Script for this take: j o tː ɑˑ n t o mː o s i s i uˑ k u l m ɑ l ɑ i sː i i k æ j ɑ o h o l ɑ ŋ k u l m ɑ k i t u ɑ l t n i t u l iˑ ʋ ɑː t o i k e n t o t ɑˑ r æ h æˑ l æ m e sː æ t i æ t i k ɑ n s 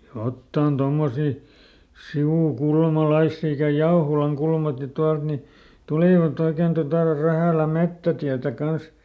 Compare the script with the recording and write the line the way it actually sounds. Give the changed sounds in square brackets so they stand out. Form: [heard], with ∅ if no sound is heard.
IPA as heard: j o tː ɑˑ n t o mː o s i s i uˑ k u l m ɑ l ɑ i sː i i k æ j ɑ o h o l ɑ ŋ k u l m ɑ k i t u ɑ l t n i t u l iˑ ʋ [ɑ] t o i k e n t o t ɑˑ r æ h æˑ l æ m e [tː] æ t i æ t [æ] k ɑ n s